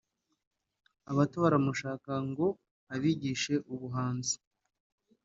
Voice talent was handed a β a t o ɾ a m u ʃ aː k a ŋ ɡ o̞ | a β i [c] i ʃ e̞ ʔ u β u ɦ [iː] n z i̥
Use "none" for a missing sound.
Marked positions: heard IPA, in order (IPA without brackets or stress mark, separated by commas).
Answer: ɟ, aː